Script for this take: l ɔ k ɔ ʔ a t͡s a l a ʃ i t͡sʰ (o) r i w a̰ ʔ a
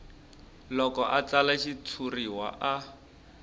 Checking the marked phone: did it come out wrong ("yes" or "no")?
yes